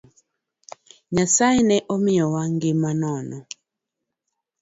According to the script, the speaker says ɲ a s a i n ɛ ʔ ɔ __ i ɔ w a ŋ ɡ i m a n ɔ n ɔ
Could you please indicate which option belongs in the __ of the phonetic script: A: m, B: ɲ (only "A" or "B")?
A